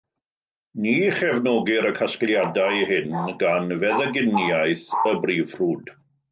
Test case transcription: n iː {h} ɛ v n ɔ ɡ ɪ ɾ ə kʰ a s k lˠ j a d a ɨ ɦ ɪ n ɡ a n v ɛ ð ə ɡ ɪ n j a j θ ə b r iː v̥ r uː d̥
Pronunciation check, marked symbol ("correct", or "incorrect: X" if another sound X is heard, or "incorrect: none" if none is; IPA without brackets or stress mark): incorrect: χ